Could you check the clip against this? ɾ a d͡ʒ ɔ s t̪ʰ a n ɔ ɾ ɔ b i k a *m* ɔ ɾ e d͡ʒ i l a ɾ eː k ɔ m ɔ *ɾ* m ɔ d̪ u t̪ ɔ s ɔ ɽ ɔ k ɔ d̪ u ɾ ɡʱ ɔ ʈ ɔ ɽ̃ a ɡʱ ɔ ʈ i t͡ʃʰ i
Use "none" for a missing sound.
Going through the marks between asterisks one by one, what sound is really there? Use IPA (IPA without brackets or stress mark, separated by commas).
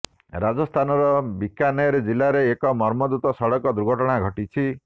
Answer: n, ɾ